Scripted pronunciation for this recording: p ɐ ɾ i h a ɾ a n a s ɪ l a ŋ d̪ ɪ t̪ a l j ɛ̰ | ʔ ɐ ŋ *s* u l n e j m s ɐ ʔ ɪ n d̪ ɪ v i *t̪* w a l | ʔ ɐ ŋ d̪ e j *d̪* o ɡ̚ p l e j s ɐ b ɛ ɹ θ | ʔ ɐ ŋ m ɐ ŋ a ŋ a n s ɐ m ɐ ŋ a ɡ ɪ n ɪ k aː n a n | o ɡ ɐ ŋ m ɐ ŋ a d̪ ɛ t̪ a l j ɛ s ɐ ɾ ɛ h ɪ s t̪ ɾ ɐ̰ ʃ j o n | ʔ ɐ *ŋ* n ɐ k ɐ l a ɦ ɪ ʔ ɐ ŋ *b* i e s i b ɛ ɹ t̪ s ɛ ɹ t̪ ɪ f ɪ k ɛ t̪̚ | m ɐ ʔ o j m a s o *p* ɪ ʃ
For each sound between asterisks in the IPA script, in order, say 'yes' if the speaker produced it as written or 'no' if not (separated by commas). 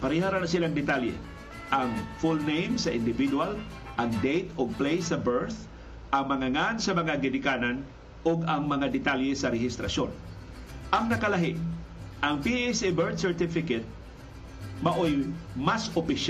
no, no, no, yes, no, yes